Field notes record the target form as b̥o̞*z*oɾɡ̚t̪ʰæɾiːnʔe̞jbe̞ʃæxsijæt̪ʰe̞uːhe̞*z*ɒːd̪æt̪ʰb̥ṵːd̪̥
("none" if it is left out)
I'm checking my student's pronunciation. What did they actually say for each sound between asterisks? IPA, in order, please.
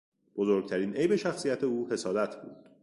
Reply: z, s

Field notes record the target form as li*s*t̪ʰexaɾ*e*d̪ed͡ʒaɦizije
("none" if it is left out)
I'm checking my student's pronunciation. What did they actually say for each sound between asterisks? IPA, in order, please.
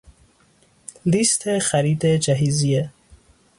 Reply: s, i

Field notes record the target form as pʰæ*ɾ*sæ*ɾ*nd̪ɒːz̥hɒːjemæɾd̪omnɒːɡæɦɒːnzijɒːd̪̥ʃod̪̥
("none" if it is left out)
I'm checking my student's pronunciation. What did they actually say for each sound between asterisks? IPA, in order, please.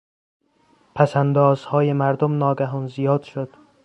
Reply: none, none

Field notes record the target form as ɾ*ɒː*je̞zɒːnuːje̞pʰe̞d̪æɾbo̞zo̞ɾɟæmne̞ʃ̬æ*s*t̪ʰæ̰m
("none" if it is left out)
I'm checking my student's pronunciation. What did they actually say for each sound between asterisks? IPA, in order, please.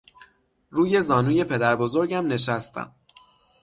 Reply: uː, s

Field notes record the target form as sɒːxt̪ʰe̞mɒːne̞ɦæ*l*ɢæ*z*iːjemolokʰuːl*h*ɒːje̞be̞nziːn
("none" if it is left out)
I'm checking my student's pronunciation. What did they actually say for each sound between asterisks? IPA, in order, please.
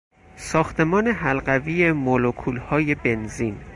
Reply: l, v, h

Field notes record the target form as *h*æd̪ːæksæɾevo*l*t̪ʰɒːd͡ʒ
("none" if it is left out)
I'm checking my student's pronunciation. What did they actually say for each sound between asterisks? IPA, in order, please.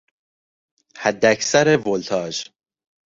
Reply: h, l

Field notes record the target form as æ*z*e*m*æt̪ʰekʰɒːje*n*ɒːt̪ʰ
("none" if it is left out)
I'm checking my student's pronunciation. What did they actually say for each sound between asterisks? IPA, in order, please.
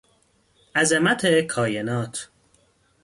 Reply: z, m, n

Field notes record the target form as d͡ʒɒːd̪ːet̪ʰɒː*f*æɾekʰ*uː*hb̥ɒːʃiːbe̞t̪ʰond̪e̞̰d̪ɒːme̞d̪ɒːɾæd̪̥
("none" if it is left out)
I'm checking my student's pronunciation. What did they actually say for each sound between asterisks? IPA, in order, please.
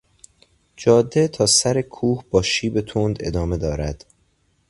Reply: s, uː

